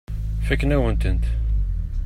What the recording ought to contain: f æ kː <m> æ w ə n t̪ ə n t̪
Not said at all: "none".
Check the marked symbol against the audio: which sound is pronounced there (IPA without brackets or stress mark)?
n